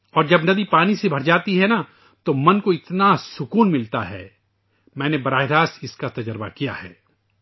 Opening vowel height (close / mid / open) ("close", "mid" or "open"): mid